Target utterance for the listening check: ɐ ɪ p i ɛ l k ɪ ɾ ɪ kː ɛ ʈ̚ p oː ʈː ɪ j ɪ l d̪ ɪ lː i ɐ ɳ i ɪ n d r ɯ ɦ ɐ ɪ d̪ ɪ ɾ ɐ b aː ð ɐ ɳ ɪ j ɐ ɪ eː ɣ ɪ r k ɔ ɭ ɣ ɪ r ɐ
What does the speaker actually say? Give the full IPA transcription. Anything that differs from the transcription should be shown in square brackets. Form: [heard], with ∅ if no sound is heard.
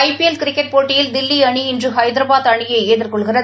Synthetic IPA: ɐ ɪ p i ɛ l k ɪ ɾ ɪ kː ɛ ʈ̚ p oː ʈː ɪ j ɪ l d̪ ɪ lː i ɐ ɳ i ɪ n d r ɯ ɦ ɐ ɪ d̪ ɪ ɾ ɐ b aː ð ɐ ɳ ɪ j ɐ ɪ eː [ð] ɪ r k ɔ ɭ ɣ ɪ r ɐ